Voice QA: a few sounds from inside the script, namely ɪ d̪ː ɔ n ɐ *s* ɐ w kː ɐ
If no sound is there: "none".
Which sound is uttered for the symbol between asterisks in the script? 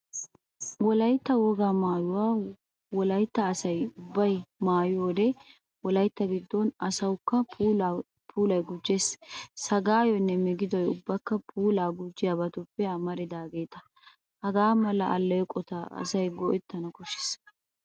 s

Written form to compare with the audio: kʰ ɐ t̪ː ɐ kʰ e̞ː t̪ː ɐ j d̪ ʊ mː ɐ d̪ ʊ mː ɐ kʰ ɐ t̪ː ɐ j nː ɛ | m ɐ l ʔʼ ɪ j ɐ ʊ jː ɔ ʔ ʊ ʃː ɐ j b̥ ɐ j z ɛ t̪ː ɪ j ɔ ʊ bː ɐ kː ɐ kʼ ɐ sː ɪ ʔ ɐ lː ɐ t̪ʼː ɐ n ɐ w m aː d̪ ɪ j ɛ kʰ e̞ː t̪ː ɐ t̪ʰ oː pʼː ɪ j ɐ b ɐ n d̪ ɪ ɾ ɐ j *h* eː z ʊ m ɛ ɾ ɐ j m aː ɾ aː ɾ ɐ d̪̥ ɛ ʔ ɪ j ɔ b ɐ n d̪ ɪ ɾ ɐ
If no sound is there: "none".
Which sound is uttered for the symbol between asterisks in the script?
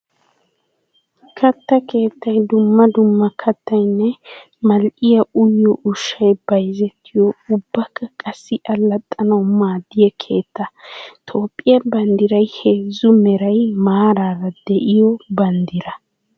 h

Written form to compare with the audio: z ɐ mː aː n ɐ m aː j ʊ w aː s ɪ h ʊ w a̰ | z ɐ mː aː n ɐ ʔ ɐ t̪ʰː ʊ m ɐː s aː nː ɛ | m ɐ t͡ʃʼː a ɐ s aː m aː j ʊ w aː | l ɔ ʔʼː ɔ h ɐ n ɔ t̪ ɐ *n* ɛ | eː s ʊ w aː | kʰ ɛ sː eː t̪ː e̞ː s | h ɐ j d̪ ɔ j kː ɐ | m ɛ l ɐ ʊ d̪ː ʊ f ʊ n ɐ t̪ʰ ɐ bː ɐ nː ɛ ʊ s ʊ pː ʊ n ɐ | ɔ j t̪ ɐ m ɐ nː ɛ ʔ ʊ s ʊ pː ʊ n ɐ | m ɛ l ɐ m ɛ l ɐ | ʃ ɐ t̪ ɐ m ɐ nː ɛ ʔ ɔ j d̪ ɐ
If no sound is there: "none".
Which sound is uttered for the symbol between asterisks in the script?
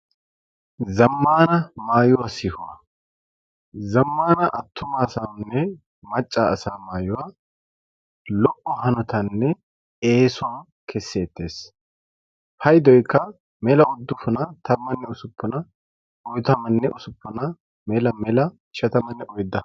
nː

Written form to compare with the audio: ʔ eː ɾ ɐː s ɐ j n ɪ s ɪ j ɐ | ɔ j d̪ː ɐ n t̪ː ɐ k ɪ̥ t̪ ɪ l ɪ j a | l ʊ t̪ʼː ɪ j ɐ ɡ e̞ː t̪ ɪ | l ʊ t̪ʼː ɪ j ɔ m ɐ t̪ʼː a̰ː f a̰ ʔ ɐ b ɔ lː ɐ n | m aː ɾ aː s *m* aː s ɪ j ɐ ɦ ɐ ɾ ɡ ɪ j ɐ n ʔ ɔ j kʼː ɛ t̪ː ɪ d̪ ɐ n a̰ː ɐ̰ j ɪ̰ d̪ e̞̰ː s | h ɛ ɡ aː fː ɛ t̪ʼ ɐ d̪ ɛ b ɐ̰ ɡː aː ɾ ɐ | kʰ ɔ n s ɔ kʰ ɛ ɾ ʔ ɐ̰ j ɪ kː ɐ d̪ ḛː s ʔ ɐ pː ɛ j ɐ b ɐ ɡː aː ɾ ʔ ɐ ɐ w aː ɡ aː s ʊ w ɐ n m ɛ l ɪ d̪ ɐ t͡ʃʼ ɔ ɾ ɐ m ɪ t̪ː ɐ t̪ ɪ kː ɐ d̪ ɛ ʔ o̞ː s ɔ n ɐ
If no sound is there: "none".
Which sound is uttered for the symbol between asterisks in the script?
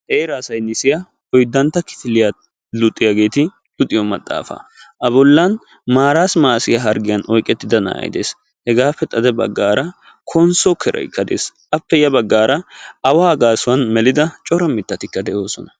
m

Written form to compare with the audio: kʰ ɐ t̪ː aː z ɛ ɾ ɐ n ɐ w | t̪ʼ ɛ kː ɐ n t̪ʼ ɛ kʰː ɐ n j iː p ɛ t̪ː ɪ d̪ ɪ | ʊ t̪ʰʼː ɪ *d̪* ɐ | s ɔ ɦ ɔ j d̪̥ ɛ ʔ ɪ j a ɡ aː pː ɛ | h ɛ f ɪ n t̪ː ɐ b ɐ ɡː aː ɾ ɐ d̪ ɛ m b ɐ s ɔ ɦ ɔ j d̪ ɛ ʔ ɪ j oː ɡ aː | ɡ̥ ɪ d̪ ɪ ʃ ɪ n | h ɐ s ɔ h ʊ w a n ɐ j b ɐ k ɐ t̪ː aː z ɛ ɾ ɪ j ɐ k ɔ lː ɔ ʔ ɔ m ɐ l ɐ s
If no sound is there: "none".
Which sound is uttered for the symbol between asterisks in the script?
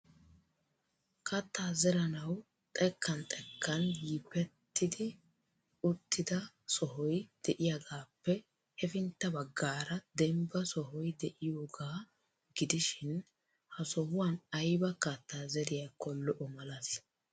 d̪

